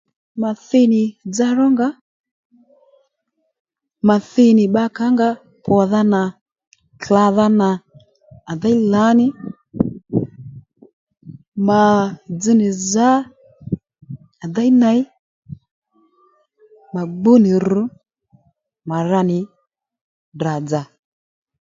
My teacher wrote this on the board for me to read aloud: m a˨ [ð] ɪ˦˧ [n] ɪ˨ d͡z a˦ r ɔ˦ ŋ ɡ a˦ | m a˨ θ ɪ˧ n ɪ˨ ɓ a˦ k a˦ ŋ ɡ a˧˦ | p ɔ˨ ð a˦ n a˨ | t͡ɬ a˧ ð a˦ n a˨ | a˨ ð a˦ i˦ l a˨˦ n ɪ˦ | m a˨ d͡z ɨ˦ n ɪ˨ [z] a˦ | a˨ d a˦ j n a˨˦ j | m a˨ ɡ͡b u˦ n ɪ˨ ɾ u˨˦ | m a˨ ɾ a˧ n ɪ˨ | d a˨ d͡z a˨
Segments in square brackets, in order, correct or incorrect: incorrect: θ, correct, correct

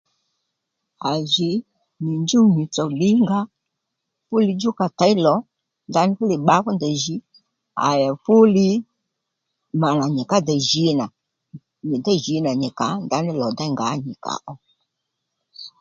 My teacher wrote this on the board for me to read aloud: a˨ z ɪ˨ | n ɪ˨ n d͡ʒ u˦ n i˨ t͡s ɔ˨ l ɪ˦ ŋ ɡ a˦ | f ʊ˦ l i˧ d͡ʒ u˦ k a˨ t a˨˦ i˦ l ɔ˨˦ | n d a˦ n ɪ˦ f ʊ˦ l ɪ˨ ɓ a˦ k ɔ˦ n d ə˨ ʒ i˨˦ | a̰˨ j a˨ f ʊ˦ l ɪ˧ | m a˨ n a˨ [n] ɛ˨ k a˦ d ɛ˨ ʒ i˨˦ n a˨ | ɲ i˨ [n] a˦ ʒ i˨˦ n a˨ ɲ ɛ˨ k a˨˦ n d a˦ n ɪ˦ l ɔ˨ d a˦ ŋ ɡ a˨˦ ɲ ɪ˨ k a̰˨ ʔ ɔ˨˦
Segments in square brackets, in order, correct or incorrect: incorrect: ɲ, incorrect: d

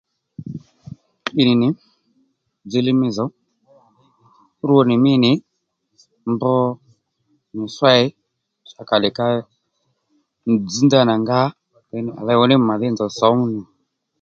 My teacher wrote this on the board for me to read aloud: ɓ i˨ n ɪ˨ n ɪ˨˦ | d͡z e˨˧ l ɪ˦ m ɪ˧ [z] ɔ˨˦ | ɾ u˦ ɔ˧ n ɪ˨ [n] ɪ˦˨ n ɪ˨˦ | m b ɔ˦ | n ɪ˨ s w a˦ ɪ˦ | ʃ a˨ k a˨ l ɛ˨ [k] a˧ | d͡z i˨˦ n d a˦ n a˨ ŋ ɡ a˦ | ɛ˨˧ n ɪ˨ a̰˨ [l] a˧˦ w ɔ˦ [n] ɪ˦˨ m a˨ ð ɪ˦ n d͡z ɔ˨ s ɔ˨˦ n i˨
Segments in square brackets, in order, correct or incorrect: correct, incorrect: m, correct, correct, correct

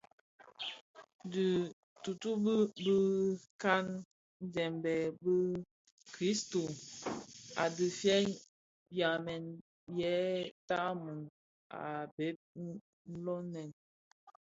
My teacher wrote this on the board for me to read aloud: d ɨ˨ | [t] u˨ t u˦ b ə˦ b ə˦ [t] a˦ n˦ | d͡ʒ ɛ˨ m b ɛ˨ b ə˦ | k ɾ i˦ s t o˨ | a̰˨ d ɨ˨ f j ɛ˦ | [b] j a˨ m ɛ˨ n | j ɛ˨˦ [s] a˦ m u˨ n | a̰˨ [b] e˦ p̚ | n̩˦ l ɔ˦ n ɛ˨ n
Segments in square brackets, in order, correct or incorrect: correct, incorrect: k, correct, incorrect: t, correct

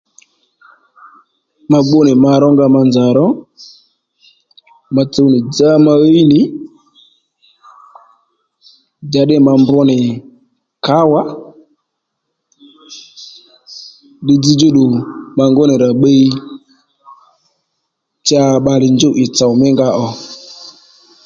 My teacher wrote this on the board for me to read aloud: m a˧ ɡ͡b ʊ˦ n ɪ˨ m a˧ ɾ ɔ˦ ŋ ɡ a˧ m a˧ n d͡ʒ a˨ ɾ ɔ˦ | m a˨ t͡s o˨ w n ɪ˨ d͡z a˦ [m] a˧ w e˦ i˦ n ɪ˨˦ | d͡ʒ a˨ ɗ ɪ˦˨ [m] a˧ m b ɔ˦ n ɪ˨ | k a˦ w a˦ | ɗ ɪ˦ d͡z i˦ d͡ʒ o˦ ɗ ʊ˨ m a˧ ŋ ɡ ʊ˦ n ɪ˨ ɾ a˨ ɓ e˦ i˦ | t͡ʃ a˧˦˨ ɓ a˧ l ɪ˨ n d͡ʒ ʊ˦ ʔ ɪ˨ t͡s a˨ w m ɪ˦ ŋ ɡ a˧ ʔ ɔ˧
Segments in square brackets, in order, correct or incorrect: correct, correct

